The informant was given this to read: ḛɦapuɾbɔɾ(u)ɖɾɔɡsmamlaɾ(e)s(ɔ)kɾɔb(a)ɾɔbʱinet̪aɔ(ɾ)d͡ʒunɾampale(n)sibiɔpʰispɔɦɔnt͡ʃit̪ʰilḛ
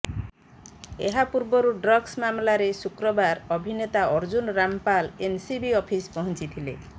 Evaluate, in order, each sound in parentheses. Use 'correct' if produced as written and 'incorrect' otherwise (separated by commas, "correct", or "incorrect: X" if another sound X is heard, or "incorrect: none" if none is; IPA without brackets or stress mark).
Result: correct, correct, incorrect: u, correct, correct, correct